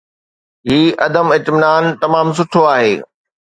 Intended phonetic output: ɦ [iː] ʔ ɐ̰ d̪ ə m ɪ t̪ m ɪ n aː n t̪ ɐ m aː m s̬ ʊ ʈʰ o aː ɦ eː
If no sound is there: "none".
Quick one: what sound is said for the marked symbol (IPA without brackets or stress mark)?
iː